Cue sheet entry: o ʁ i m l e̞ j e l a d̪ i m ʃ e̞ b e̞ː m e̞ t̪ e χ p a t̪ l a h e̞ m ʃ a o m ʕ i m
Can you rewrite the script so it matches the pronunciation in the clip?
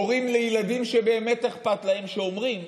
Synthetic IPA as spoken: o ʁ i m l e̞ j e l a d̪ i m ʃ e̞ b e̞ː m e̞ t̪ e χ p a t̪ l a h e̞ m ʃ e o m ʁ i m